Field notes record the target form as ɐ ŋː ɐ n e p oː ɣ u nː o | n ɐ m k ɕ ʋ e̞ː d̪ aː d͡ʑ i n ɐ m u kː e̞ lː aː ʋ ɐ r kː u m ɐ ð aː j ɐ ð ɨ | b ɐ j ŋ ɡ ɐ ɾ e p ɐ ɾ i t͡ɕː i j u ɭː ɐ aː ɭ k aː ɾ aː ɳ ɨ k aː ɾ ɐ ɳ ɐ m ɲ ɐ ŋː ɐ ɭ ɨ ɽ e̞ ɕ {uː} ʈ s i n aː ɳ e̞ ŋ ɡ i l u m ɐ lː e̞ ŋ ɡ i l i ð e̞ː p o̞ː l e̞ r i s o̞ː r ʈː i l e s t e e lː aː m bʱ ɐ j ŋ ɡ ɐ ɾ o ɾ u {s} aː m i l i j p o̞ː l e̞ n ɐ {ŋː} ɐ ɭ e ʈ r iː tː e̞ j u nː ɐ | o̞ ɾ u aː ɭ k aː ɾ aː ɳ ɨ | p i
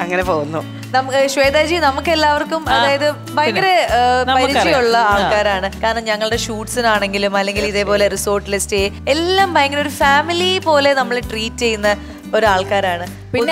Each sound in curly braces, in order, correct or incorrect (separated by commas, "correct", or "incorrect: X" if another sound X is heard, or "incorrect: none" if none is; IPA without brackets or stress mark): correct, incorrect: f, incorrect: mː